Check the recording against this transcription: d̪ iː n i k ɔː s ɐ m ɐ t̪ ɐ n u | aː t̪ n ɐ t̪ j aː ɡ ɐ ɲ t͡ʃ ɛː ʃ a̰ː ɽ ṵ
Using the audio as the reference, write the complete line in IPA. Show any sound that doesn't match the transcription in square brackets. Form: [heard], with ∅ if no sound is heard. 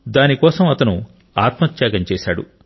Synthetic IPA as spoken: d̪ [aː] n i k ɔː s ɐ m ɐ t̪ ɐ n u | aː t̪ [m] ɐ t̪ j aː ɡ ɐ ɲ t͡ʃ ɛː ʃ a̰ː ɽ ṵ